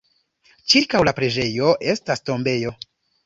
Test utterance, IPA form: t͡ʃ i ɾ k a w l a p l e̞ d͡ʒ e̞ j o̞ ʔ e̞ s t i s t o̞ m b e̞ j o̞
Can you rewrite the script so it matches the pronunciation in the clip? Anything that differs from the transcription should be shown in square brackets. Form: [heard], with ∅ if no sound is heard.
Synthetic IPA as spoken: t͡ʃ i ɾ k a w l a p [ɾ] e̞ d͡ʒ e̞ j o̞ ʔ e̞ s t [a] s t o̞ m b e̞ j o̞